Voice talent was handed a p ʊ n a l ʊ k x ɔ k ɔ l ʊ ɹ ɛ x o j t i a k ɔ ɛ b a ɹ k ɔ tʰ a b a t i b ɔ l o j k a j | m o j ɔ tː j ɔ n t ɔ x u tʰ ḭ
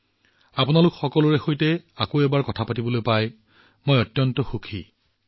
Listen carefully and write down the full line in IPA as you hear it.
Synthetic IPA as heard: a p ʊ n a l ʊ k x ɔ k ɔ l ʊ ɹ ɛ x o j t ɛ a k o ɛ b a ɹ k ɔ tʰ a p a t i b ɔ l o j p a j | m o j ɔ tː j ɔ n t ɔ x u kʰ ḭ